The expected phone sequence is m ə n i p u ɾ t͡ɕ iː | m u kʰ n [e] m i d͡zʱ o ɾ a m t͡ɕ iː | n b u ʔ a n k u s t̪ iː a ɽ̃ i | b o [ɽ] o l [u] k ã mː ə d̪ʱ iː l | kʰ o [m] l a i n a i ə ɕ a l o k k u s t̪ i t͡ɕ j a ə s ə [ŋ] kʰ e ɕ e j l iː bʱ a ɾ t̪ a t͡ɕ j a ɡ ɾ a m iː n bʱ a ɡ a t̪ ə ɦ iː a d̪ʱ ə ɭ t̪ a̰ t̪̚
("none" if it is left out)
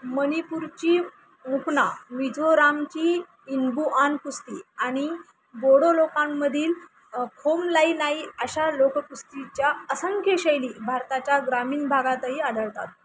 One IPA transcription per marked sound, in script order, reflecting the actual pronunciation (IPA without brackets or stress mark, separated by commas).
a, ɽ, o, m, ŋ